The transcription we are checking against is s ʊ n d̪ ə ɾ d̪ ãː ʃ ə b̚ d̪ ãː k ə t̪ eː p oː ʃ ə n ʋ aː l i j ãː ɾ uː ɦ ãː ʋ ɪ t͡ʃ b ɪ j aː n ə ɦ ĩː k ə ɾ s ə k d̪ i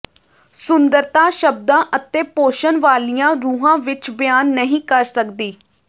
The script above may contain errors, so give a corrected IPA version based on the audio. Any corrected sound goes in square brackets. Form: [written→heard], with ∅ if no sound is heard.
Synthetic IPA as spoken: s ʊ n d̪ ə ɾ [d̪→t̪] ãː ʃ ə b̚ d̪ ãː [k→ʔ] ə t̪ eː p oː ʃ ə n ʋ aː l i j ãː ɾ uː ɦ ãː ʋ ɪ t͡ʃ b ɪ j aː [n→nː] ə ɦ ĩː k ə ɾ s ə k d̪ [i→iː]

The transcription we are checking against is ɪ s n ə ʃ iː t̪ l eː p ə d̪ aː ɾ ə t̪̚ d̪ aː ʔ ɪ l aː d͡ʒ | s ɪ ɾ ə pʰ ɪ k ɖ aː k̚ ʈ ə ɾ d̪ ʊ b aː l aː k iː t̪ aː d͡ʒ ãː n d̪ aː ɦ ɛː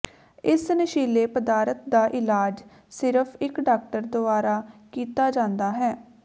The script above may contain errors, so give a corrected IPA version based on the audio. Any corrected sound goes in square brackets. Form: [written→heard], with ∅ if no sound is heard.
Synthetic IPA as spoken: ɪ s n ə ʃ iː [t̪→∅] l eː p ə d̪ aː ɾ ə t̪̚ d̪ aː ʔ ɪ l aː d͡ʒ | s ɪ ɾ ə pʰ ɪ k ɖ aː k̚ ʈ ə ɾ d̪ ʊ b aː [l→ɾ] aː k iː t̪ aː d͡ʒ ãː n d̪ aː ɦ ɛː

